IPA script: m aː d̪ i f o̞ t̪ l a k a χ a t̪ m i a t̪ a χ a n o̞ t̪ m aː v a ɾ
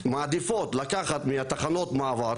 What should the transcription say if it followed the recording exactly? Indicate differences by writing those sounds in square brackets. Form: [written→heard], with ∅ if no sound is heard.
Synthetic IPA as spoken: m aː d̪ i f o̞ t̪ l a k a χ a t̪ m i a t̪ a χ a n o̞ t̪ m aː v a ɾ